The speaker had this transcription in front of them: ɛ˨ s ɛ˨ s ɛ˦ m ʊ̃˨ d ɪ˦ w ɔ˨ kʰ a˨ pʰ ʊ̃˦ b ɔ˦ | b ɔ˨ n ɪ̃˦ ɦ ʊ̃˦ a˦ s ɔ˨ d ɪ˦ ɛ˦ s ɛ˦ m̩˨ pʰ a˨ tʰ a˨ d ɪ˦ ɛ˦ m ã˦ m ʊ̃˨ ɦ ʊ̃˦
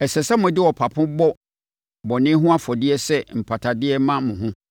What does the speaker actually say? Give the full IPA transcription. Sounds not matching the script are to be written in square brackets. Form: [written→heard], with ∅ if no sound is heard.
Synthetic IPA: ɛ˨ s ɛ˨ s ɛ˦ m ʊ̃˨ d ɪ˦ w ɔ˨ [kʰ→pʰ] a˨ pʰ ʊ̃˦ b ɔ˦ | b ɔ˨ n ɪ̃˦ ɦ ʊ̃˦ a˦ [s→f] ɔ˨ d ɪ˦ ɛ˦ s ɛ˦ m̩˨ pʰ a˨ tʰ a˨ d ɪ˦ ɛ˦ m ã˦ m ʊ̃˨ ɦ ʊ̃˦